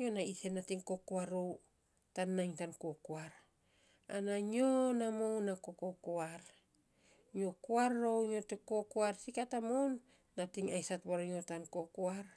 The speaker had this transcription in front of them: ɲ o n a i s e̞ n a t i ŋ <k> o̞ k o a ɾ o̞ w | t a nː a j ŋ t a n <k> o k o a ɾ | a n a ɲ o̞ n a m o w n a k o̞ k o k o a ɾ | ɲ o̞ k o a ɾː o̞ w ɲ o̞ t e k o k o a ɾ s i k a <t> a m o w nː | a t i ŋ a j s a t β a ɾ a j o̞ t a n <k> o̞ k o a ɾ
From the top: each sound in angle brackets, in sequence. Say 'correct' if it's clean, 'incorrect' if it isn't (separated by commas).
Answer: correct, correct, correct, correct